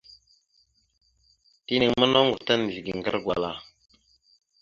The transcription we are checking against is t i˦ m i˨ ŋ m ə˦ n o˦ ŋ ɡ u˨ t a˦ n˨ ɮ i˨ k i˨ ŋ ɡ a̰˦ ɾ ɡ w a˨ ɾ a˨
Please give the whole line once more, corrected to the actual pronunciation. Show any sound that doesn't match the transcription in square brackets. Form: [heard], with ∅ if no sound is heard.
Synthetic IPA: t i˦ [n] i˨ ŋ m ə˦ n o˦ ŋ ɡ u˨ t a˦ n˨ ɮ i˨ [ɡ] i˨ ŋ ɡ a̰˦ ɾ ɡ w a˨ [l] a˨